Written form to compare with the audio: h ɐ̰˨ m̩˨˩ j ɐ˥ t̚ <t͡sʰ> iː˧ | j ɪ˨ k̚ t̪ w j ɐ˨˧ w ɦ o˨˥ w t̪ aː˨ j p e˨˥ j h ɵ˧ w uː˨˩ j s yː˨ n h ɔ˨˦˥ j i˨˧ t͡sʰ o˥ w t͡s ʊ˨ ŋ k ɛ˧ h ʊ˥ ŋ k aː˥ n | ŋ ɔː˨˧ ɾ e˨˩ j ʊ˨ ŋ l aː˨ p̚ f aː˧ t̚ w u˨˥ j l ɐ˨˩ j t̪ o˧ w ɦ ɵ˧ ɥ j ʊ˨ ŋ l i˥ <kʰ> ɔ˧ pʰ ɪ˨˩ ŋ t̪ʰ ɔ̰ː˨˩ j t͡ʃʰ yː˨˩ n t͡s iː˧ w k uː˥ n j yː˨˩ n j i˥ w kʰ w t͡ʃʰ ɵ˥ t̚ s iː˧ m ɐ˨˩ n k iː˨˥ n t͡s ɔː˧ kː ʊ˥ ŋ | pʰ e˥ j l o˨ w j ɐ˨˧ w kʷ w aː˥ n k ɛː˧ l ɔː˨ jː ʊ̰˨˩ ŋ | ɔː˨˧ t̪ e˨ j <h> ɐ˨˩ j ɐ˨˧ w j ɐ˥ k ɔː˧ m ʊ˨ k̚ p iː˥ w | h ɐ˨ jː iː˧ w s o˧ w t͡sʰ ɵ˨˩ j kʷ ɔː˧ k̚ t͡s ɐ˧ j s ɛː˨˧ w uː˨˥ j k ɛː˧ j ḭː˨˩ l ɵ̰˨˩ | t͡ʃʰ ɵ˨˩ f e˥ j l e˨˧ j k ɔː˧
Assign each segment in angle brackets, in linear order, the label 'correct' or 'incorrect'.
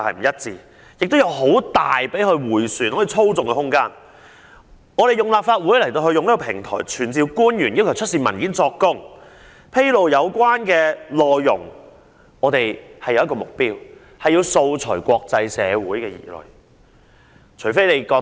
incorrect, incorrect, correct

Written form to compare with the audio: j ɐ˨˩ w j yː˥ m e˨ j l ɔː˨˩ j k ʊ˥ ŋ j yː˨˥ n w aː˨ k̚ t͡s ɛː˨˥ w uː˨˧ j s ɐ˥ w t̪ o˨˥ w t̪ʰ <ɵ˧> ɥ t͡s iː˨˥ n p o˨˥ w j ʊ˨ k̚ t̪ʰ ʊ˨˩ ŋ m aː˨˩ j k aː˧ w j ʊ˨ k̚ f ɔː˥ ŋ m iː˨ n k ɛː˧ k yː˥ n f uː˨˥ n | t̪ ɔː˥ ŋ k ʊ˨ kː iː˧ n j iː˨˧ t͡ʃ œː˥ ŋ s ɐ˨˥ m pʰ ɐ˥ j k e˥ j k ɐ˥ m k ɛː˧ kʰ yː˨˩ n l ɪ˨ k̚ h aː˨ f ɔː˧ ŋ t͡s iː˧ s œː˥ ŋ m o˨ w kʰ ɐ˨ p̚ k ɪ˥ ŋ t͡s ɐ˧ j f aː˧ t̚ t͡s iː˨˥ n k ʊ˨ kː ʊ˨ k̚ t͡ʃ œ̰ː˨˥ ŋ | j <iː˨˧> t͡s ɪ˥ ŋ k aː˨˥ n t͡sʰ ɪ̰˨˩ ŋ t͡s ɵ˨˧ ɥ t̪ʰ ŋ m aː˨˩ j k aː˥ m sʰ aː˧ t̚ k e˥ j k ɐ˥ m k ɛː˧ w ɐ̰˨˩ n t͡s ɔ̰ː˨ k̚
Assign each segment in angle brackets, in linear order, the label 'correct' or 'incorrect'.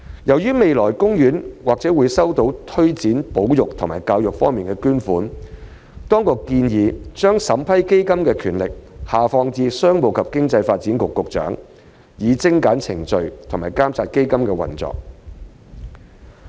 incorrect, correct

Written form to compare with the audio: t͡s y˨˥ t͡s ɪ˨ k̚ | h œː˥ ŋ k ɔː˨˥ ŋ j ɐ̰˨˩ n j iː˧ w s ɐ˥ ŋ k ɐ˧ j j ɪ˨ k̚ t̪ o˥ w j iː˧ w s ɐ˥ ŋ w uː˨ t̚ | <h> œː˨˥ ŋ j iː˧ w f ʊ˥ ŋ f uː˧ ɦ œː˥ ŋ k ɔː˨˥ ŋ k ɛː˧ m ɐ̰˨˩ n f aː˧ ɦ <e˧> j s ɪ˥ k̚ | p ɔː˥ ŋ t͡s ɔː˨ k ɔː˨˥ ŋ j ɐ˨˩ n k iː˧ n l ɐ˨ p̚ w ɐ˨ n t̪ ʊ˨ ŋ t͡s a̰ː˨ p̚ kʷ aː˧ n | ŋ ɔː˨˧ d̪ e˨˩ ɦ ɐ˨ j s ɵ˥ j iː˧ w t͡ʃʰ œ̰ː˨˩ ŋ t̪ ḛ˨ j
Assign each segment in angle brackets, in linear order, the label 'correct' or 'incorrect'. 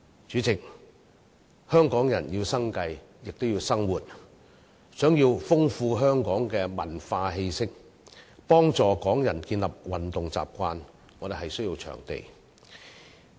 incorrect, correct

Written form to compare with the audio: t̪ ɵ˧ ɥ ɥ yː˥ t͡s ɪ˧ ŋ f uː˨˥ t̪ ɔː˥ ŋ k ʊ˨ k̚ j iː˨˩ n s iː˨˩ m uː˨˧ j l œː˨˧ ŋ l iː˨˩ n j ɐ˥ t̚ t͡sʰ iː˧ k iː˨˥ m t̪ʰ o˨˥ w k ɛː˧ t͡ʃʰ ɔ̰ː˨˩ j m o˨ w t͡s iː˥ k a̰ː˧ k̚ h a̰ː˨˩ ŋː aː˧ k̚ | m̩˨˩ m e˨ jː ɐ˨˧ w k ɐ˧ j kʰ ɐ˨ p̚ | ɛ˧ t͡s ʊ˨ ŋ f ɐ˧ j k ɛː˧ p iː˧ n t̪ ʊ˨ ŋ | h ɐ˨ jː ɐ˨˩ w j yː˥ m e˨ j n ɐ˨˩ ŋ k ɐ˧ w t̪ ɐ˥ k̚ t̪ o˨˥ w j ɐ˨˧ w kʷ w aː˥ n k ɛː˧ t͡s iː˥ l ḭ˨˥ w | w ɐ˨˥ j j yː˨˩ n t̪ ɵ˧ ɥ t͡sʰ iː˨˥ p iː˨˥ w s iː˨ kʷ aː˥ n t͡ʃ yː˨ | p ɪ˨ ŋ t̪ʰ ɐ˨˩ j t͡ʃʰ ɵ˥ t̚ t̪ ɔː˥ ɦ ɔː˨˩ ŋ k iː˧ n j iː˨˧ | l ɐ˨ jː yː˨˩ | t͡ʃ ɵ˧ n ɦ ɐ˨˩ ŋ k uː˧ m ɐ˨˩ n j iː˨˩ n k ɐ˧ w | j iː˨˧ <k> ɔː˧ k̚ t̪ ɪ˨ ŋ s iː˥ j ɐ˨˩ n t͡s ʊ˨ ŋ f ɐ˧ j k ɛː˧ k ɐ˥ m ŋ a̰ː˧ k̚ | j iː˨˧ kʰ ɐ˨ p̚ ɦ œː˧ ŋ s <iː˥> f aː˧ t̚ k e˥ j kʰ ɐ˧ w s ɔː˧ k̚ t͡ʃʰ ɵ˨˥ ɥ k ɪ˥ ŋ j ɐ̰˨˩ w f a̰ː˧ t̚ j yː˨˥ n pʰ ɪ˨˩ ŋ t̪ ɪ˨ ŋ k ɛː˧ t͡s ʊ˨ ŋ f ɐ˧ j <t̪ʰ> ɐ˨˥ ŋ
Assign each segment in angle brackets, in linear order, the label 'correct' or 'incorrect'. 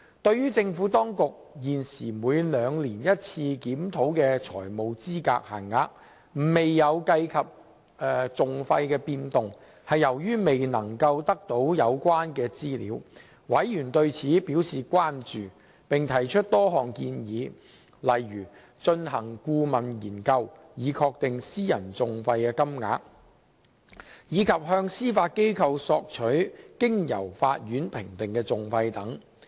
incorrect, correct, incorrect

